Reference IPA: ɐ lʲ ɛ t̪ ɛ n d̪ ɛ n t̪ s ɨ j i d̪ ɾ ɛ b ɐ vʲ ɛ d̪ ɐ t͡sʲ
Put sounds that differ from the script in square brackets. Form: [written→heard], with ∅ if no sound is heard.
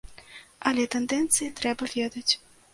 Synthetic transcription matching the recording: ɐ lʲ ɛ t̪ ɛ n d̪ ɛ n t̪ s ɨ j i [d̪→t̪] ɾ ɛ b ɐ vʲ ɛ d̪ ɐ t͡sʲ

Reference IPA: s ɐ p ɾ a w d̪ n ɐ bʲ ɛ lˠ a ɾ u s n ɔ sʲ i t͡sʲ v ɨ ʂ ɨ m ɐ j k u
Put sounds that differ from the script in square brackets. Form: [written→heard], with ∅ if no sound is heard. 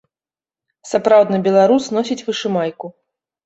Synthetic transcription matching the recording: s [ɐ→a] p ɾ a w d̪ n ɐ bʲ ɛ lˠ a ɾ u s n ɔ sʲ i t͡sʲ v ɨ ʂ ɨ m [ɐ→a] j k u

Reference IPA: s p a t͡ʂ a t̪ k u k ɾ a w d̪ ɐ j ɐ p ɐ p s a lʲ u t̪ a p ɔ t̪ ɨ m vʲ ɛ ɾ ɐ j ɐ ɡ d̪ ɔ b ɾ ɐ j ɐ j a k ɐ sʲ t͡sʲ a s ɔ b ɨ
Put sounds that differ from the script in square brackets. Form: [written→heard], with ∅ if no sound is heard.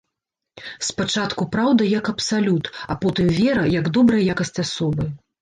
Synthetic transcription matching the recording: s p a t͡ʂ a t̪ k u [k→p] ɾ a w d̪ ɐ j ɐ [p→k] ɐ p s a lʲ u t̪ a p ɔ t̪ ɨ m vʲ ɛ ɾ ɐ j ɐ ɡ d̪ ɔ b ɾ ɐ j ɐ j a k ɐ sʲ t͡sʲ a s ɔ b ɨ

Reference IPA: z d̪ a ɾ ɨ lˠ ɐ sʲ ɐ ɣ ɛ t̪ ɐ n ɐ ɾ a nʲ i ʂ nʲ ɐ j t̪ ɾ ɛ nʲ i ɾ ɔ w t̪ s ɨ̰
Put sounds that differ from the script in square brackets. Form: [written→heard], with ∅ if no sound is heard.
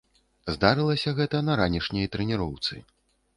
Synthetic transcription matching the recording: z d̪ a ɾ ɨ lˠ ɐ sʲ ɐ ɣ ɛ t̪ ɐ n ɐ ɾ a nʲ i ʂ nʲ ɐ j t̪ ɾ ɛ nʲ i ɾ ɔ w t̪ s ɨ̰

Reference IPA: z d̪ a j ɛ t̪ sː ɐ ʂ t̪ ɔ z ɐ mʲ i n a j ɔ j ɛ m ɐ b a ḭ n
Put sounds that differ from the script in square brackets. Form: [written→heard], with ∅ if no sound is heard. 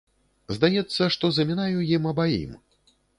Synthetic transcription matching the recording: z d̪ a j ɛ t̪ sː ɐ ʂ t̪ ɔ z ɐ mʲ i n a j [ɔ→u] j [ɛ→i] m ɐ b a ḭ [n→m]

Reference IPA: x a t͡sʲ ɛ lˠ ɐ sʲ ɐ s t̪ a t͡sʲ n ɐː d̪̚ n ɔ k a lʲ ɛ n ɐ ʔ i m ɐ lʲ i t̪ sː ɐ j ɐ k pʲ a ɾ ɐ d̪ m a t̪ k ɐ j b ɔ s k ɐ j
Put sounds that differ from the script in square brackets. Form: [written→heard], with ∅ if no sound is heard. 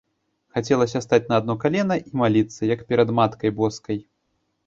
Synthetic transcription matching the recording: x a t͡sʲ ɛ lˠ ɐ sʲ ɐ s t̪ a t͡sʲ n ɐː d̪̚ n ɔ k a lʲ ɛ n ɐ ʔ i m [ɐ→a] lʲ i t̪ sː ɐ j ɐ k pʲ [a→ɛ] ɾ ɐ d̪ m a t̪ k ɐ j b ɔ s k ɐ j

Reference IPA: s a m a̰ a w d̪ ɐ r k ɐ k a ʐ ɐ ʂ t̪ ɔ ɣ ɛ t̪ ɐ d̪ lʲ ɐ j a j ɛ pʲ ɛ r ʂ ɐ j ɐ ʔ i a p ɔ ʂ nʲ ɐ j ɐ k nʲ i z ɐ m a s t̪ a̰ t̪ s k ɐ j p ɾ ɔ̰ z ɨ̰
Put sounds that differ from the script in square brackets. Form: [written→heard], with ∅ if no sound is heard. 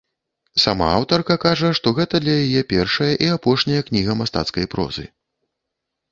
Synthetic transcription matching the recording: s a m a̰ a w [d̪→t̪] ɐ r k ɐ k a ʐ ɐ ʂ t̪ ɔ ɣ ɛ t̪ ɐ d̪ lʲ ɐ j a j ɛ pʲ ɛ r ʂ ɐ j ɐ ʔ i a p ɔ ʂ nʲ ɐ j ɐ k nʲ i [z→ɣ] ɐ m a s t̪ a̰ t̪ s k ɐ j p ɾ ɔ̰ z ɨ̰

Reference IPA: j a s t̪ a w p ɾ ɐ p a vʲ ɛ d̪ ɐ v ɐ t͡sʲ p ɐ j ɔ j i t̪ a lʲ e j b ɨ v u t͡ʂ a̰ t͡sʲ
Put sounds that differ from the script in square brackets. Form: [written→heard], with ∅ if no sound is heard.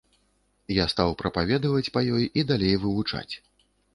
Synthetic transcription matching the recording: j a s t̪ a w p ɾ ɐ p a vʲ ɛ d̪ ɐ v ɐ t͡sʲ p ɐ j ɔ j i [t̪→d̪] a lʲ e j [b→v] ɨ v u t͡ʂ a̰ t͡sʲ

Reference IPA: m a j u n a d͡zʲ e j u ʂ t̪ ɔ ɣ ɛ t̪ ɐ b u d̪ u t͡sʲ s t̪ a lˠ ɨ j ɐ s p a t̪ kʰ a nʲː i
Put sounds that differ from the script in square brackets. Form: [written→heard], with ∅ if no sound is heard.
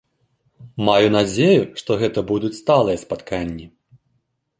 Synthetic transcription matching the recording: m a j u n a d͡zʲ e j u ʂ t̪ ɔ ɣ ɛ t̪ ɐ b u d̪ u t͡sʲ s t̪ a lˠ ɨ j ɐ s p a t̪ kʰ a nʲː i

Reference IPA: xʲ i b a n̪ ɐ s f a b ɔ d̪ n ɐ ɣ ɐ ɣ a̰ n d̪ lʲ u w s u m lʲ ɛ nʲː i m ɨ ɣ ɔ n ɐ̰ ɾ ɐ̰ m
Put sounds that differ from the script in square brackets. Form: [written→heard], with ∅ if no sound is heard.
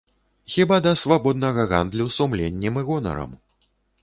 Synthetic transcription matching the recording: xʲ i b a [n̪→d̪] ɐ s [f→v] a b ɔ d̪ n ɐ ɣ ɐ ɣ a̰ n d̪ lʲ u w s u m lʲ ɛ nʲː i m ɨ ɣ ɔ n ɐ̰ ɾ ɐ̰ m

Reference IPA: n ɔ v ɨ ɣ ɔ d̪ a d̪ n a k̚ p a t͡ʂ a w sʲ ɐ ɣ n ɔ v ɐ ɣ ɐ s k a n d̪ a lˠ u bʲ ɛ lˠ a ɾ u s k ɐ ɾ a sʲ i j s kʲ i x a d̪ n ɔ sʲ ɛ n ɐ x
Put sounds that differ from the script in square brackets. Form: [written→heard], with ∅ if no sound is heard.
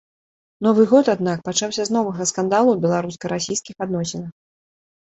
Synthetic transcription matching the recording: n ɔ v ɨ ɣ ɔ [d̪→t̪] a d̪ n a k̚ p a t͡ʂ a w sʲ ɐ [ɣ→z] n ɔ v ɐ ɣ ɐ s k a n d̪ a lˠ u bʲ ɛ lˠ a ɾ u s k ɐ ɾ a sʲ i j s kʲ i x a d̪ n ɔ sʲ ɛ n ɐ x

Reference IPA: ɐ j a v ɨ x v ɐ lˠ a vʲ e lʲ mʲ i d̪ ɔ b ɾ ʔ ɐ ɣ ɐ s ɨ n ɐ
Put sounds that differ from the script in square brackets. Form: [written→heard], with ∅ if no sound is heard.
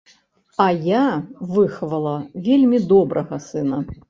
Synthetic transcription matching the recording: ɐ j a v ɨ x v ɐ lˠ [a→ɐ] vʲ e lʲ mʲ i d̪ ɔ b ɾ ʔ ɐ ɣ ɐ s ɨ n ɐ

